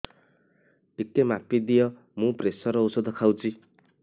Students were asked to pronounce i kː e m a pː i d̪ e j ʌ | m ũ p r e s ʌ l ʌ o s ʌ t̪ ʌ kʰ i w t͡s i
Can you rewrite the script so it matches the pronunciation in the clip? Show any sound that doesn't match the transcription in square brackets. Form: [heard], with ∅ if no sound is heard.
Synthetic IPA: i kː e m a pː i d̪ [i] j ʌ | m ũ p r e s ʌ [ɾ] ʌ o s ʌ [d̪] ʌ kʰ [a] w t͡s i